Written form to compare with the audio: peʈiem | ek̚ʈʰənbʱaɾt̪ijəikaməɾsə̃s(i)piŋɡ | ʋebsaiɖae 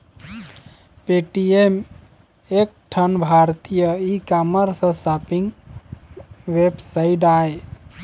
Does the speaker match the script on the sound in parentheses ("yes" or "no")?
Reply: no